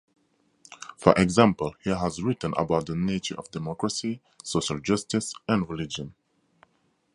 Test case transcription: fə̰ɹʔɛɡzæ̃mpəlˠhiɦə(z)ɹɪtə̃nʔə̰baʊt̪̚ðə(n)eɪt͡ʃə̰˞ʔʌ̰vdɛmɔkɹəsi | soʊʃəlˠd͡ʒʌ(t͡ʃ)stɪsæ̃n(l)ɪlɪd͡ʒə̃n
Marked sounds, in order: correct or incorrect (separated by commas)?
correct, correct, incorrect, incorrect